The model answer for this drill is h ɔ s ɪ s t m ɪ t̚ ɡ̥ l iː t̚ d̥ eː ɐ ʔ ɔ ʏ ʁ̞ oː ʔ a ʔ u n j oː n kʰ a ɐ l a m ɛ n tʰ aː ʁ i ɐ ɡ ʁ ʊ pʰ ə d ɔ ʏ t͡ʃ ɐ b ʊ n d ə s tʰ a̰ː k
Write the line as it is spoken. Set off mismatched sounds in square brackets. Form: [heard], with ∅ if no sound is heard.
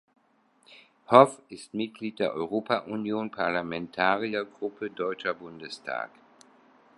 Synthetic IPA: h ɔ [f] ɪ s t m ɪ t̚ ɡ̥ l iː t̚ d̥ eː ɐ ʔ ɔ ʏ ʁ̞ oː [p] a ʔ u n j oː n [pʰ] a ɐ l a m ɛ n tʰ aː ʁ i ɐ ɡ ʁ ʊ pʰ ə d ɔ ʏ t͡ʃ ɐ b ʊ n d ə s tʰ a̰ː k